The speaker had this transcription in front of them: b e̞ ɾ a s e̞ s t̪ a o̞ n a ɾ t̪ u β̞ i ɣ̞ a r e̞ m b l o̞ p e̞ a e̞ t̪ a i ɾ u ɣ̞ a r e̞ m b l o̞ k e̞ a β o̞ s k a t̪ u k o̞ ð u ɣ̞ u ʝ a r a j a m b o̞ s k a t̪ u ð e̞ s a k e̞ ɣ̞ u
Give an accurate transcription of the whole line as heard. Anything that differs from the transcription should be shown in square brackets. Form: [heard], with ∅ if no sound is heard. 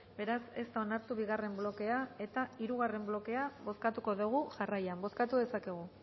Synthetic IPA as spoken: b e̞ ɾ a s e̞ s t̪ a o̞ n a ɾ t̪ u β̞ i ɣ̞ a r e̞ m b l o̞ [k] e̞ a e̞ t̪ a i ɾ u ɣ̞ a r e̞ m b l o̞ k e̞ a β o̞ s k a t̪ u k o̞ ð u ɣ̞ u ʝ a r a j a m b o̞ s k a t̪ u ð e̞ s a k e̞ ɣ̞ u